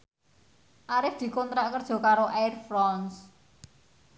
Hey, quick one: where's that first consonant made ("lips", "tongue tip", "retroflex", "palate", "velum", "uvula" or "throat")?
throat